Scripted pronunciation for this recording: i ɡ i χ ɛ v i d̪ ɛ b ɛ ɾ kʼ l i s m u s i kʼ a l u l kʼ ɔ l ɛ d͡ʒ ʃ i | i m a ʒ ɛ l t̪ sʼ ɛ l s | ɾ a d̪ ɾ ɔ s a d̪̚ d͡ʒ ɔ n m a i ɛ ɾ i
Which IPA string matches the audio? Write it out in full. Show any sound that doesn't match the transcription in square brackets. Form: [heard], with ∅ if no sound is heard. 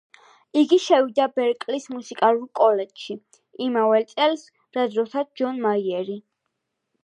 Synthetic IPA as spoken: i ɡ i [ʃ] ɛ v i d̪ [a] b ɛ ɾ kʼ l i s m u s i kʼ a l u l kʼ ɔ l ɛ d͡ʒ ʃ i | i m a [v] ɛ l t̪ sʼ ɛ l s | ɾ a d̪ ɾ ɔ s a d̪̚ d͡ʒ ɔ n m a i ɛ ɾ i